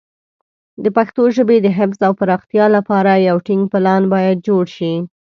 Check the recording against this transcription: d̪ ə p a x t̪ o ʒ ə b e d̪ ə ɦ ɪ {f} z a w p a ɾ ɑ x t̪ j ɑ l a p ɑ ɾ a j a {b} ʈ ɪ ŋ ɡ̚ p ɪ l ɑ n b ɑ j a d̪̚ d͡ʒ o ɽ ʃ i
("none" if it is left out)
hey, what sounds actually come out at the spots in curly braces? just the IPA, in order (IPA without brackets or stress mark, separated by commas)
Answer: f, w